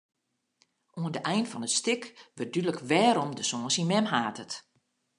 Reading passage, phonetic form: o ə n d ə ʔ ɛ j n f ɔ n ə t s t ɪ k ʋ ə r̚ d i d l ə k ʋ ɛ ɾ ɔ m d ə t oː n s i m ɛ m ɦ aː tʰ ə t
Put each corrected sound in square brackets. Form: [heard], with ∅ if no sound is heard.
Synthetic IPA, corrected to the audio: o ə n d ə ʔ ɛ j n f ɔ n ə t s t ɪ k ʋ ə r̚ d [y] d l ə k ʋ [ɛː] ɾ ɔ m d ə [s] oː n s i m ɛ m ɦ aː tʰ ə t